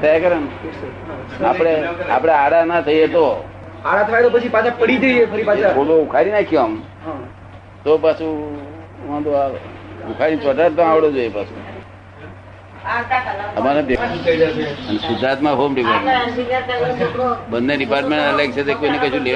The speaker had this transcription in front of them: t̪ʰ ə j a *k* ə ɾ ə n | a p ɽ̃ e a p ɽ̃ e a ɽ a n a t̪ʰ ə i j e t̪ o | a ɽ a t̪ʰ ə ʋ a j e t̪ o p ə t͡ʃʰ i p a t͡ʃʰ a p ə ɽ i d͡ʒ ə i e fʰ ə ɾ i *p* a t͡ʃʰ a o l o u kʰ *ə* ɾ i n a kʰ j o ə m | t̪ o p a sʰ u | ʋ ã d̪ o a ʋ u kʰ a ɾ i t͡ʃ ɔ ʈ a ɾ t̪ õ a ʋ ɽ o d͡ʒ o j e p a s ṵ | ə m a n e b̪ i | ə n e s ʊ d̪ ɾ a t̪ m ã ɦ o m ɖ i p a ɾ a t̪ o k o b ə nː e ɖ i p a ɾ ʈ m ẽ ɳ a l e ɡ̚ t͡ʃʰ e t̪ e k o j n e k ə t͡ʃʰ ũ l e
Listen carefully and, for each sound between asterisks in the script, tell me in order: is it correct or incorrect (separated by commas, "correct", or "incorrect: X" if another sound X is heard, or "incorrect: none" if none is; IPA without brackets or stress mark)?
correct, correct, incorrect: a